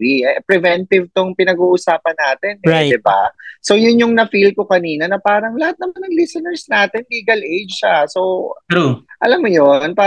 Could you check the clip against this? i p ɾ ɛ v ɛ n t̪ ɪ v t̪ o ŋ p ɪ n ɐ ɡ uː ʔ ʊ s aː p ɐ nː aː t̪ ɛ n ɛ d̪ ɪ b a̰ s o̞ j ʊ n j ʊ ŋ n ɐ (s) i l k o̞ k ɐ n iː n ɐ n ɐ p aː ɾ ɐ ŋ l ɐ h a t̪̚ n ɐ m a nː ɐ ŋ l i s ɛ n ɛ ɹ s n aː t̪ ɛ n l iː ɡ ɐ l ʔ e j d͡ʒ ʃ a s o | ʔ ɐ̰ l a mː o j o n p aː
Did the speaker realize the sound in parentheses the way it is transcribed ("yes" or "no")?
no